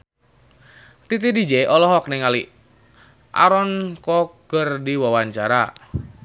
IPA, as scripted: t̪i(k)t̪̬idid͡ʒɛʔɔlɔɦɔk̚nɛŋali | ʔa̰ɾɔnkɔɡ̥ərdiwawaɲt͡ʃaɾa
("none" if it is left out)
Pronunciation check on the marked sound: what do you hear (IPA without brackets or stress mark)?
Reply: none